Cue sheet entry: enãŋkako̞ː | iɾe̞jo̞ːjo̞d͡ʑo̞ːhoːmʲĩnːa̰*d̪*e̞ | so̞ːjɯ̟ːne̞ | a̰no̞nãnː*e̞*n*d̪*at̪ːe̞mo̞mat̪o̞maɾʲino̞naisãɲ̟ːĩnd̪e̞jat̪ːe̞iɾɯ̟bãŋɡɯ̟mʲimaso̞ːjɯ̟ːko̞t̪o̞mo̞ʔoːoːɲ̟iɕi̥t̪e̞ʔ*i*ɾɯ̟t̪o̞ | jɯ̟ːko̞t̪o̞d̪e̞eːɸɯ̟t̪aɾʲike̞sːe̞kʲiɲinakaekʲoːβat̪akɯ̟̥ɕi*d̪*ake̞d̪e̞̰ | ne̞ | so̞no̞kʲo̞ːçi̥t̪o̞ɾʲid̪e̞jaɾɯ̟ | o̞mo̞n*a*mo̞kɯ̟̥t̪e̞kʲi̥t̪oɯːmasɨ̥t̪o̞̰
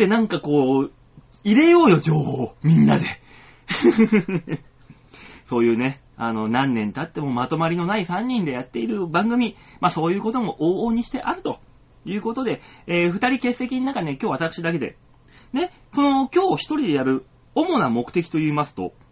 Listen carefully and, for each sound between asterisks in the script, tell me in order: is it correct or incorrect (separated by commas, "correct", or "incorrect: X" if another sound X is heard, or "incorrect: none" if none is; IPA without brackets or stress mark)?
correct, incorrect: ẽ̞, incorrect: t̪, incorrect: a, correct, correct